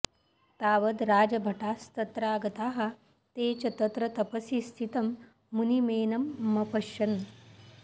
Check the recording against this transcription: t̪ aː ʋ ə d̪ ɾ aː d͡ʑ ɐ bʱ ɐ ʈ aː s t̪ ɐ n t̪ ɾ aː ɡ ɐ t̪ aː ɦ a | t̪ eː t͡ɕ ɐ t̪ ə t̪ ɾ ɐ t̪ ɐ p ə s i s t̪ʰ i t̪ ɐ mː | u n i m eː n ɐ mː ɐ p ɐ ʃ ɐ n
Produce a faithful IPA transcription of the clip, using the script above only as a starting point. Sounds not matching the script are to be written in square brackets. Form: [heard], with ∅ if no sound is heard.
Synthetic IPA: t̪ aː ʋ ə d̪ ɾ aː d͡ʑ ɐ bʱ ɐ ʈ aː s t̪ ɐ [∅] t̪ ɾ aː ɡ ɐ t̪ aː ɦ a | t̪ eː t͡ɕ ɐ t̪ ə t̪ ɾ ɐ t̪ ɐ p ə s i s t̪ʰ i t̪ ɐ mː | u n i m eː n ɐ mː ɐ p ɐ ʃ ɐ n